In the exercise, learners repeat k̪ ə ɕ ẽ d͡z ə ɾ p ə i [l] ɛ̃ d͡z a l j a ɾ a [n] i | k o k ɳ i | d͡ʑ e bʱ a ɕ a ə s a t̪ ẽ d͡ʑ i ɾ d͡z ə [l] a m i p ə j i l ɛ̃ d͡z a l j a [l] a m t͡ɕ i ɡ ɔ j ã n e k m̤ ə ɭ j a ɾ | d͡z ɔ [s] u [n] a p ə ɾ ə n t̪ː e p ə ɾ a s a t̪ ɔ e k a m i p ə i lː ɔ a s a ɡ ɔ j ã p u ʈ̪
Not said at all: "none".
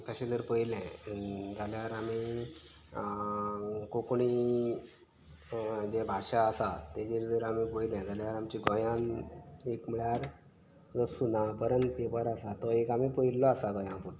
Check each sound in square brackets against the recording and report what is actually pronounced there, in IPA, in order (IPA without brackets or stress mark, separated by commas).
l, m, ɾ, ɾ, s, n